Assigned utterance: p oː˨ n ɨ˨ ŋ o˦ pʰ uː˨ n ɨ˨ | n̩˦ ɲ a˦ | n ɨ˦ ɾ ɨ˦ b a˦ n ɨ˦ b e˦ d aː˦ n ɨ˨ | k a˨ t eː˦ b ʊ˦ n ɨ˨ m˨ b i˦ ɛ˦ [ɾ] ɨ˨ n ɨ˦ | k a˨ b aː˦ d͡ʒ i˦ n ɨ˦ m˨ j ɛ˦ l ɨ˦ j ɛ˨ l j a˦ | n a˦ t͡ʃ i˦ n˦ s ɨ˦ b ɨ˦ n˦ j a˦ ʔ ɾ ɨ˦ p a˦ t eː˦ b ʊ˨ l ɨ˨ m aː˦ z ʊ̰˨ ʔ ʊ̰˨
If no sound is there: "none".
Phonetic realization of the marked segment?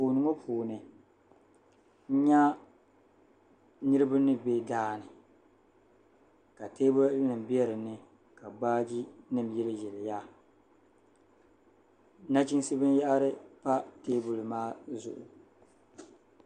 ɾ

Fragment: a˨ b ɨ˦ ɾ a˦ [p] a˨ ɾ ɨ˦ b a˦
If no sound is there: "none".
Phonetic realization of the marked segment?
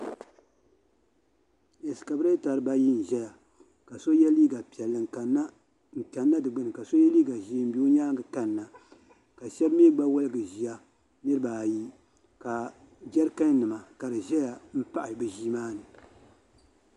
t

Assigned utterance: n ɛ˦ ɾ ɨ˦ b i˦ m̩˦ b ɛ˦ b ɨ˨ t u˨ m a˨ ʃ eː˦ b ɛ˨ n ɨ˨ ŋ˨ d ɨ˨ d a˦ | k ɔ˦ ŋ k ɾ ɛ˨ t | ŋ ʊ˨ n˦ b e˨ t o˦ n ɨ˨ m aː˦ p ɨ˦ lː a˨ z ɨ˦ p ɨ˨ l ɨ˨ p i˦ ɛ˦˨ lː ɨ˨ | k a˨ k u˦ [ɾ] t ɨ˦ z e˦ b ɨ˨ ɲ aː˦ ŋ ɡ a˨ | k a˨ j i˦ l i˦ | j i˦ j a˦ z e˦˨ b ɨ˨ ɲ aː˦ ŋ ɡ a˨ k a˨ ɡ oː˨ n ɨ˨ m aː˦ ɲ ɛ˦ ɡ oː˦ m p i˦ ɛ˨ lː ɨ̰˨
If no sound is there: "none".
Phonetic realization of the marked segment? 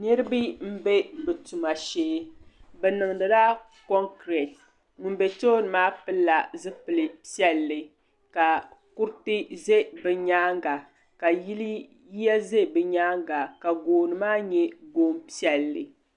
ɾ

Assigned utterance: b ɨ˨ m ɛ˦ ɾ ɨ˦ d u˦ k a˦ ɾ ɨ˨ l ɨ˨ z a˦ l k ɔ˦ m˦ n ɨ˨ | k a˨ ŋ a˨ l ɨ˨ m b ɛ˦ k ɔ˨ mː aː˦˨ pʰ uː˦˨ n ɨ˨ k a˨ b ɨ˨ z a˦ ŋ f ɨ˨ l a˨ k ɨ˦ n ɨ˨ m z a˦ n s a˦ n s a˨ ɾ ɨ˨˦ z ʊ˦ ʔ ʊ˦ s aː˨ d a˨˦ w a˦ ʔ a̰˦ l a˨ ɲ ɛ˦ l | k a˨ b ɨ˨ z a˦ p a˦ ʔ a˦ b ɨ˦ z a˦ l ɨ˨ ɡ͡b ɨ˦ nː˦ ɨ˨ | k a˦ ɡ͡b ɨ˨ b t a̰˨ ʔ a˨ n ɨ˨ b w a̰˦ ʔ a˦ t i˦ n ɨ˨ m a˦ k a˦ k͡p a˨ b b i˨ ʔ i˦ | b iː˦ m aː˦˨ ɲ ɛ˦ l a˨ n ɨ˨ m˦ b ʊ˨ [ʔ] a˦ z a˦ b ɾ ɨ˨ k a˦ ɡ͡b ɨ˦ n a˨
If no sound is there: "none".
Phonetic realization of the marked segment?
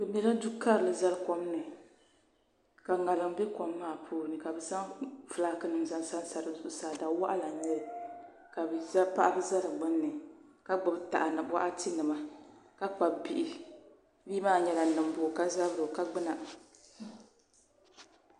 k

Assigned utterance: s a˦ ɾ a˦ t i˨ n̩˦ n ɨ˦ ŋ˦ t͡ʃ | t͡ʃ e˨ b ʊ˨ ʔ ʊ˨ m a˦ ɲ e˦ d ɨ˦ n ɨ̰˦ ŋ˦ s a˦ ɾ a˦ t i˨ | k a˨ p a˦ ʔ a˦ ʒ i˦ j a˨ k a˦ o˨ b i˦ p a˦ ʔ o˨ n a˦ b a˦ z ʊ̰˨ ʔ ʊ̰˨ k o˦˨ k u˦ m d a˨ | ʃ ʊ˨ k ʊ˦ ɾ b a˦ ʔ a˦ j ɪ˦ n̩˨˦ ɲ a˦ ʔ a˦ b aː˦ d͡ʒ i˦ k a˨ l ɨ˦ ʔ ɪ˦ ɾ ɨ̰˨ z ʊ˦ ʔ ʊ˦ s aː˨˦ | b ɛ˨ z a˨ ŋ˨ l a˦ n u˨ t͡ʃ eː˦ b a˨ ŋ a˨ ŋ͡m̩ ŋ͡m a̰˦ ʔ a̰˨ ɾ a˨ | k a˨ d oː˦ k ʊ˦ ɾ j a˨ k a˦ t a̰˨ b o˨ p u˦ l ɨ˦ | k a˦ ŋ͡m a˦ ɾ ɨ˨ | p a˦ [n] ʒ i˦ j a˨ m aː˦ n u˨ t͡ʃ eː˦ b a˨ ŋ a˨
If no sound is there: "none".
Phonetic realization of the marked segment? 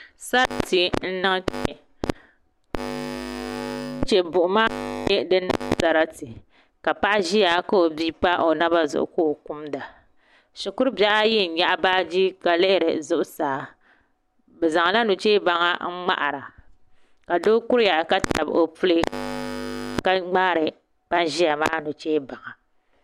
n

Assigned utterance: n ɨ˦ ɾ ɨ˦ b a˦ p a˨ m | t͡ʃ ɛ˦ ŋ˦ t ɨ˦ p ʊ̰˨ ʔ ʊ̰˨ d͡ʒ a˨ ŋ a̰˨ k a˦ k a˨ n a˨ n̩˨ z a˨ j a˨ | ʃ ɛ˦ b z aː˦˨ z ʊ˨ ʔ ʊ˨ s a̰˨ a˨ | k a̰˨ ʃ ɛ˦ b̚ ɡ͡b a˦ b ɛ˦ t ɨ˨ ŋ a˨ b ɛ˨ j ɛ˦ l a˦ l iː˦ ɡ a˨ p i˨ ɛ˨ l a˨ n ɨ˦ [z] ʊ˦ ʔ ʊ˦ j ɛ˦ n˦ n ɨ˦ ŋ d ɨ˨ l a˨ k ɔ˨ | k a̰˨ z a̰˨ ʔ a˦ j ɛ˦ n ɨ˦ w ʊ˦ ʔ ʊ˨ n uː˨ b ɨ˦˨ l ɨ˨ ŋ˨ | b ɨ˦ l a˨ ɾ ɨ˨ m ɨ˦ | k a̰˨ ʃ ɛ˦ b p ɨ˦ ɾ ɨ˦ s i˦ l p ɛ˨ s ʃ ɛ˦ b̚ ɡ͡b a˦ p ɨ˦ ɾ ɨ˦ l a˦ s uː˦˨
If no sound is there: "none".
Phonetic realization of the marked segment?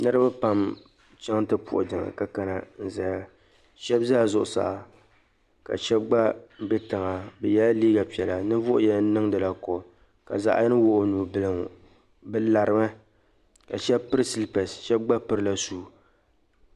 v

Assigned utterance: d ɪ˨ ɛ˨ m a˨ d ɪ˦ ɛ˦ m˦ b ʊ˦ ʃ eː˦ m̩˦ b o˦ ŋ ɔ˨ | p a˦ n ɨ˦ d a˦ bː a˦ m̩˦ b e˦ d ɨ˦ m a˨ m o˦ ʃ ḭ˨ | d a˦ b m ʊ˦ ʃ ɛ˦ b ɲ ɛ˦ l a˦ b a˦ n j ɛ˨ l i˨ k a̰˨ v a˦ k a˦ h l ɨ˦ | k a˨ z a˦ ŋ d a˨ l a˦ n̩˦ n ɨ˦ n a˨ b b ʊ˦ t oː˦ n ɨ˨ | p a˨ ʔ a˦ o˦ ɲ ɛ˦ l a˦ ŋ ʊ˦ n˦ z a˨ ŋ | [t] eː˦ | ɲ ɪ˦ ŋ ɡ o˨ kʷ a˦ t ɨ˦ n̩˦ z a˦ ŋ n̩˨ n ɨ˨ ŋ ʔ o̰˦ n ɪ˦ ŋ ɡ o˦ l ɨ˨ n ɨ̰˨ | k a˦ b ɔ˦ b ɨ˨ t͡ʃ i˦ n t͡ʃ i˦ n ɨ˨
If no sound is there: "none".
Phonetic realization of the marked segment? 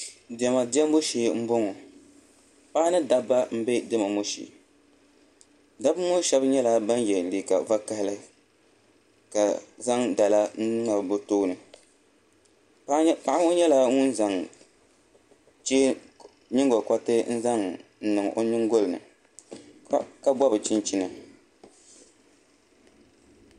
t͡ʃ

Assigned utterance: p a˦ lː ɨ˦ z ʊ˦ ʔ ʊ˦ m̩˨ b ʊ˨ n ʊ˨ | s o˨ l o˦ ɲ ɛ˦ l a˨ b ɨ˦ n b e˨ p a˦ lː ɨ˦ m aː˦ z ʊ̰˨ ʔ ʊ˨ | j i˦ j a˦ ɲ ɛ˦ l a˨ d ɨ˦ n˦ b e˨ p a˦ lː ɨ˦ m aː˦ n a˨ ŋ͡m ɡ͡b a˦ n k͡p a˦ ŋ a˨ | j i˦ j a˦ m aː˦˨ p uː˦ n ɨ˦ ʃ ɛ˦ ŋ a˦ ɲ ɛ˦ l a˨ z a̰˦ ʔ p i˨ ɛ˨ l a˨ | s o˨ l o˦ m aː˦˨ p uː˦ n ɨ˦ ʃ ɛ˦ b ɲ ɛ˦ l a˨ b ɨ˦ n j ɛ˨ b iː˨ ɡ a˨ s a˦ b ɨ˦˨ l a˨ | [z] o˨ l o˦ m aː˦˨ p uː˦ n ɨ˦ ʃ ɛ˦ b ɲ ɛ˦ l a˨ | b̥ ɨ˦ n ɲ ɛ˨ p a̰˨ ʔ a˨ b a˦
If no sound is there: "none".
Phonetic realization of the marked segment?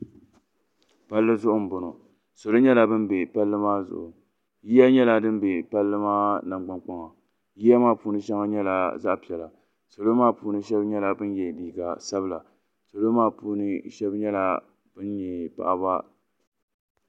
s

